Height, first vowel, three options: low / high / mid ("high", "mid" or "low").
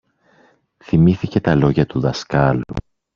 high